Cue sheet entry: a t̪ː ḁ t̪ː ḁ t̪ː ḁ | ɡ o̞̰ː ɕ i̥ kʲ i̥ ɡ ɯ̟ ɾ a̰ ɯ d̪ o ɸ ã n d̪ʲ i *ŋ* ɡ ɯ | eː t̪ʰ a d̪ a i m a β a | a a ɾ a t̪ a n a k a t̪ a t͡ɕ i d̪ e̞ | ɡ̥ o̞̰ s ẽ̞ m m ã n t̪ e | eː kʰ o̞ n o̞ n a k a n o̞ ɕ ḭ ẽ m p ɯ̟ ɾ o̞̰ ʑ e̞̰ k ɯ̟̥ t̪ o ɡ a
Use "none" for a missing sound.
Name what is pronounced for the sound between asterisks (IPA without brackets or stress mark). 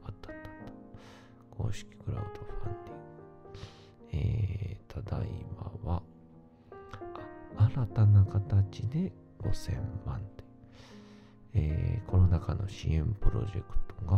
ŋ